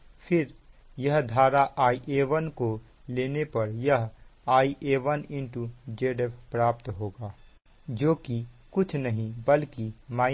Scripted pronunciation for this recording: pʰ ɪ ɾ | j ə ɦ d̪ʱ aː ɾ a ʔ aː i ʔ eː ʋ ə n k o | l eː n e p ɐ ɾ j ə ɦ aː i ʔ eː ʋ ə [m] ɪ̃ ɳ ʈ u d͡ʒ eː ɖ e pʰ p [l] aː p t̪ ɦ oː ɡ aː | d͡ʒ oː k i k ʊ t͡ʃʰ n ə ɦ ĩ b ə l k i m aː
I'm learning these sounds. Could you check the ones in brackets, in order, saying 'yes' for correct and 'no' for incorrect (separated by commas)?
no, no